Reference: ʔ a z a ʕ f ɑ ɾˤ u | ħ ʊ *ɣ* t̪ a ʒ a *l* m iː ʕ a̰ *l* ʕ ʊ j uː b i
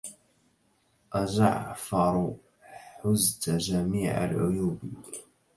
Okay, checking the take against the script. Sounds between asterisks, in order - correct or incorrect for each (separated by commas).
incorrect, incorrect, correct